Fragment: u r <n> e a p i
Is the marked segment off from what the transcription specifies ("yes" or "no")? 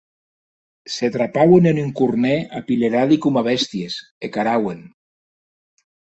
no